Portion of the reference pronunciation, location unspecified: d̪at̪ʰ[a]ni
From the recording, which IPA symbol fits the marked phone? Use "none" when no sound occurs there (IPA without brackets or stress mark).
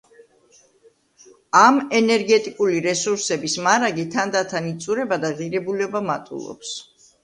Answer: a